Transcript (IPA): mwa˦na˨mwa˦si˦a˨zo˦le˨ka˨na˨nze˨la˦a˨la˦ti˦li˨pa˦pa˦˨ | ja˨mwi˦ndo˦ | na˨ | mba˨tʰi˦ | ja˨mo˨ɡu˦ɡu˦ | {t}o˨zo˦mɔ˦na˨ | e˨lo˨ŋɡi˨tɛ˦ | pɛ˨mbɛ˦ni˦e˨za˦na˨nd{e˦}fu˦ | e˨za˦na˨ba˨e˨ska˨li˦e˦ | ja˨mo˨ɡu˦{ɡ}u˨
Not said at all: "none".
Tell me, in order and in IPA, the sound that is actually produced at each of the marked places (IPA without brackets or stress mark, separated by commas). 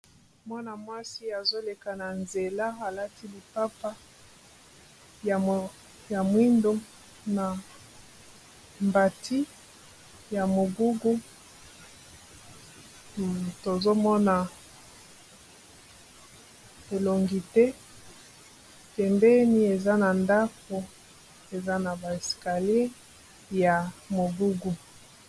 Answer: t, a˦, ɡ